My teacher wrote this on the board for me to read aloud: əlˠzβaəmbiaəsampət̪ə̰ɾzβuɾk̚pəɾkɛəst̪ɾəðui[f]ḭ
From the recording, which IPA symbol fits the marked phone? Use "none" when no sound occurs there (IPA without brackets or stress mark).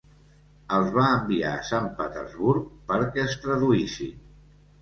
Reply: s